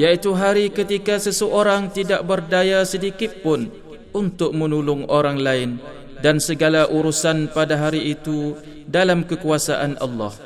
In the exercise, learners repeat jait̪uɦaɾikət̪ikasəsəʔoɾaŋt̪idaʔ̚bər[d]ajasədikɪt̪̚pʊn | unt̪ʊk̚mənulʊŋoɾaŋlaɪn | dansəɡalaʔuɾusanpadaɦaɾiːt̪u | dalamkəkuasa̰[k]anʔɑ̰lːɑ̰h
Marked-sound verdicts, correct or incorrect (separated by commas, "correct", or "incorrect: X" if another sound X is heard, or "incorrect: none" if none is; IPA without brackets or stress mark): correct, incorrect: ʔ